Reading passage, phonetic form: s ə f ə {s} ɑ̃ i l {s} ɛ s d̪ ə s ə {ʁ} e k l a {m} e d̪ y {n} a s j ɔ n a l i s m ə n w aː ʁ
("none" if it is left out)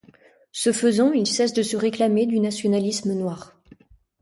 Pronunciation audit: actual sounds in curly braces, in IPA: z, s, ʁ, m, n

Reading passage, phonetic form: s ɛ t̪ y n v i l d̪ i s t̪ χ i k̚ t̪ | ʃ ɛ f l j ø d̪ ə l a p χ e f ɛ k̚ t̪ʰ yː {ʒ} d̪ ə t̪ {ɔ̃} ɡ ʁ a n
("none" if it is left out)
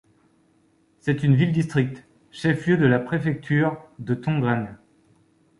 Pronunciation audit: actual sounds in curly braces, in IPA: ʁ, ɔ̃

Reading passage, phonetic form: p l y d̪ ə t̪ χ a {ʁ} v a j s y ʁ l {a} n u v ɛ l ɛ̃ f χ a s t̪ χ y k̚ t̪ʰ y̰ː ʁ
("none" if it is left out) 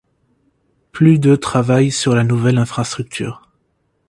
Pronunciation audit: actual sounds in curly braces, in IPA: none, a

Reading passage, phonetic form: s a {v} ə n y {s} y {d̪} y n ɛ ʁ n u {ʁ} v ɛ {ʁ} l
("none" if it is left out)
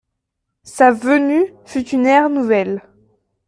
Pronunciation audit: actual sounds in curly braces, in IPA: v, f, t̪, none, none

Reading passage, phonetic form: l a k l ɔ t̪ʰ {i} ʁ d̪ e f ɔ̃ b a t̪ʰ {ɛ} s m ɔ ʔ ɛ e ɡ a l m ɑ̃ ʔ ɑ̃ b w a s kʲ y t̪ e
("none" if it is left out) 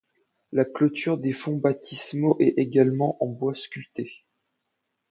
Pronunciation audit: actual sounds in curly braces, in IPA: y, i

